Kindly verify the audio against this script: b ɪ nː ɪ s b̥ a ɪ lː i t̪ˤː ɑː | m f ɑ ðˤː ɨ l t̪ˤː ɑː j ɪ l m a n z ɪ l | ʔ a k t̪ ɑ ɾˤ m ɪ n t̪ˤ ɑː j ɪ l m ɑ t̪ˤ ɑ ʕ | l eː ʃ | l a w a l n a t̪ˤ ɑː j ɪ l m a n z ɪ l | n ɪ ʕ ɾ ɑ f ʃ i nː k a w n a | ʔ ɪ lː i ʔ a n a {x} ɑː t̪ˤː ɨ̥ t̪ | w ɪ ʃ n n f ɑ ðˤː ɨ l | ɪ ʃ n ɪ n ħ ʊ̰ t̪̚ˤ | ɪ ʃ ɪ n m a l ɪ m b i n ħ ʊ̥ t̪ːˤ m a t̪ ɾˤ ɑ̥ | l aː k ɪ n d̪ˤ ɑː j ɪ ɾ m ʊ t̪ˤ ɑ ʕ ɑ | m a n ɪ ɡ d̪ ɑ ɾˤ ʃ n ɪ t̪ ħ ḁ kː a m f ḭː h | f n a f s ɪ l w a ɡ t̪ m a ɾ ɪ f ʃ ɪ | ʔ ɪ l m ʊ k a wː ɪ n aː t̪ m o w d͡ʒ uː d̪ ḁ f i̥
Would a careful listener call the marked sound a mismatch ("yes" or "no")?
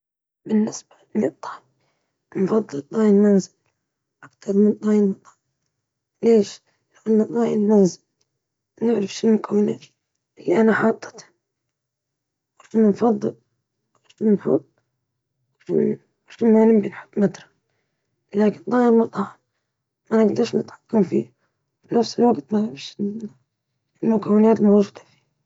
yes